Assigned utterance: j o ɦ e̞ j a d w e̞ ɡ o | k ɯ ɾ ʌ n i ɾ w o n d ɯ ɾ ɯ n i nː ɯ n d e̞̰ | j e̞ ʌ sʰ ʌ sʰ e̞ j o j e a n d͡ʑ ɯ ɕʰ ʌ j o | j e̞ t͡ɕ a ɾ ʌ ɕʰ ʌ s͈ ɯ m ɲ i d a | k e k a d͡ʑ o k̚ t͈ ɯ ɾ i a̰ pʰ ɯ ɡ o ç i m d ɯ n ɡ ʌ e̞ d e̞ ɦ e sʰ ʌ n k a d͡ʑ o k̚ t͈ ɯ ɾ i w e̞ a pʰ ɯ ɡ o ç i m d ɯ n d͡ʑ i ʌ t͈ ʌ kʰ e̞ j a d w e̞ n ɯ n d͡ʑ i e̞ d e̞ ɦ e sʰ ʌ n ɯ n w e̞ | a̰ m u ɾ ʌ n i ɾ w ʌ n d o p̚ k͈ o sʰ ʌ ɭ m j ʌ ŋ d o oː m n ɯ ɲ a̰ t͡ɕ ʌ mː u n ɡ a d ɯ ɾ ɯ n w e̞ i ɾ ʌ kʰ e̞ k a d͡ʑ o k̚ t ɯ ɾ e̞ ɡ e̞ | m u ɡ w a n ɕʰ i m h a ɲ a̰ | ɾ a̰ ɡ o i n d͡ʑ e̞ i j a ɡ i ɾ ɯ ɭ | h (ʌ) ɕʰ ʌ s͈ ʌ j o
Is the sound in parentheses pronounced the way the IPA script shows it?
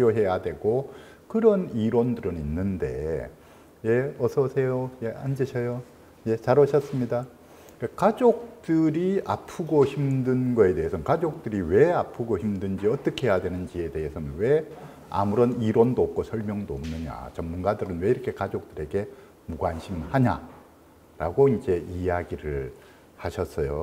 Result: no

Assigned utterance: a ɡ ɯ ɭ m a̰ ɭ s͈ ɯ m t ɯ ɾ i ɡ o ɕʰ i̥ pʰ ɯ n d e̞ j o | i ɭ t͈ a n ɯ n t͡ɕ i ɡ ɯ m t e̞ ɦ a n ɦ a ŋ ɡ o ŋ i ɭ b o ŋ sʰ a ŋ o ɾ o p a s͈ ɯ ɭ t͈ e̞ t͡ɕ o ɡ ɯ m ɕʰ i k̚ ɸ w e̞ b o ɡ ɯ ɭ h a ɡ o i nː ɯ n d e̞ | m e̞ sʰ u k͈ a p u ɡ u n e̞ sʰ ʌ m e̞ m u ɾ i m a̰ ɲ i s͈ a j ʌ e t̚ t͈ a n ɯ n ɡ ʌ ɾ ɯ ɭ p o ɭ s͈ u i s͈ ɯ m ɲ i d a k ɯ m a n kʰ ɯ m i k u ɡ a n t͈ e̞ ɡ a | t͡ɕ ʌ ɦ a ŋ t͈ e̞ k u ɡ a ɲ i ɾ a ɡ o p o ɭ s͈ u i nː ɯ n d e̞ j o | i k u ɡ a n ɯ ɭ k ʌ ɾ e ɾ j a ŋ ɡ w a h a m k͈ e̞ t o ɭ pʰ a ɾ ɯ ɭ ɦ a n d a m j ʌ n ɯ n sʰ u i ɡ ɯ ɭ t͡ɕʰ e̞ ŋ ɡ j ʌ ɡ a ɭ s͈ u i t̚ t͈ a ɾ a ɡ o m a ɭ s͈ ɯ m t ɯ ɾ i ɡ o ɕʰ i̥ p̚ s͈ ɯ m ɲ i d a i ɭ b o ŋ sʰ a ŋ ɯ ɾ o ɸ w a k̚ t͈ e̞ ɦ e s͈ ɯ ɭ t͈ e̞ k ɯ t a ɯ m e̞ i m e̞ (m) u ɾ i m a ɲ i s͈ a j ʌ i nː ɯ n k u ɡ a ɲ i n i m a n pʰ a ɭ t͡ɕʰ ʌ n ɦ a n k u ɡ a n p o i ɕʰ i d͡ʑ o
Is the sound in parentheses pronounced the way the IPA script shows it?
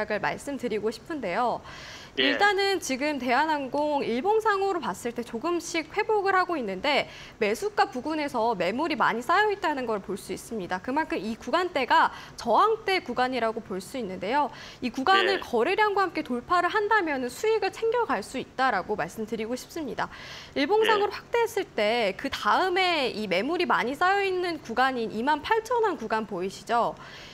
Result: yes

